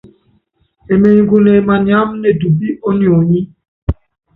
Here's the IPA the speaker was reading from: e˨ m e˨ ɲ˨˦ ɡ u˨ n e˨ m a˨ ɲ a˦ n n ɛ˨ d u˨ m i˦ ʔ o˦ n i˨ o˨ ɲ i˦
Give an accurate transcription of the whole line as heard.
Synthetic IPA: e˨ m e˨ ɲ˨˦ ɡ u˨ n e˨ m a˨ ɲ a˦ m n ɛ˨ d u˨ b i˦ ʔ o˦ n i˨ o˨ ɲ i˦